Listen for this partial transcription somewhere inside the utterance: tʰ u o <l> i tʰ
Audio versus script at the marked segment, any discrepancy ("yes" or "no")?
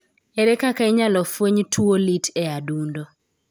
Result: no